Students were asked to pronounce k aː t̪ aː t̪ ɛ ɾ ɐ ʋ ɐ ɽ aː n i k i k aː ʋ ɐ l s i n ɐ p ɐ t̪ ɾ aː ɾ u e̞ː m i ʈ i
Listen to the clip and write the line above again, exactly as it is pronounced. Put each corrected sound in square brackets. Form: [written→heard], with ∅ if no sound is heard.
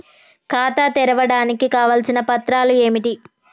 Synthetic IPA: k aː t̪ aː t̪ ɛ ɾ ɐ ʋ ɐ ɽ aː n i k i k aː ʋ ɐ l s i n ɐ p ɐ t̪ ɾ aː [ɾ→l] u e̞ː m i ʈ i